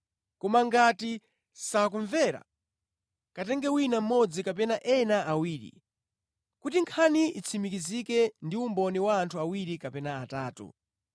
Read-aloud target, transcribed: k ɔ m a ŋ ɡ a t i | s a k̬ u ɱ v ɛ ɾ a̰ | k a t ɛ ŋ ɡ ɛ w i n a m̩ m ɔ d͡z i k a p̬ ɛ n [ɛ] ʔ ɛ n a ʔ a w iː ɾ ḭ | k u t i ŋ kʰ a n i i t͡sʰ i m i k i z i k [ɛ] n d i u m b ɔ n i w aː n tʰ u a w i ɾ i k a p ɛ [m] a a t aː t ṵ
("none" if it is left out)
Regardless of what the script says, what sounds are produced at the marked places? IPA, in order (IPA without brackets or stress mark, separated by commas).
a, ɛ, n